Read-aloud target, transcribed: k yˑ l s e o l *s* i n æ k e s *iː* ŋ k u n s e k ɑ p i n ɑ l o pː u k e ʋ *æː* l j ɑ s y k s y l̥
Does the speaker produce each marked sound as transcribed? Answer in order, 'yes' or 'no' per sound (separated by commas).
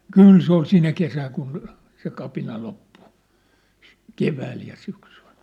yes, no, yes